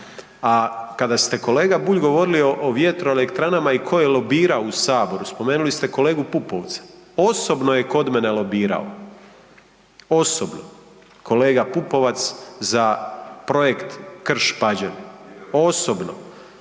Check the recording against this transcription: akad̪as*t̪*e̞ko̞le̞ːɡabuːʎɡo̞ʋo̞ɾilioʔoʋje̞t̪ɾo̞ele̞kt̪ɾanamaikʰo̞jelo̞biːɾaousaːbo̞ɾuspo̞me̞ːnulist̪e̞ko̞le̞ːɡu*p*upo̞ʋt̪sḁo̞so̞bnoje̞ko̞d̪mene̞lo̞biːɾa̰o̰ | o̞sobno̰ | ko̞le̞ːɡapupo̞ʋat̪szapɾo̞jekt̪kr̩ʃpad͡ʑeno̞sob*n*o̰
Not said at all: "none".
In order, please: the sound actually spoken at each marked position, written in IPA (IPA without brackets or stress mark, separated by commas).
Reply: t̪, p, n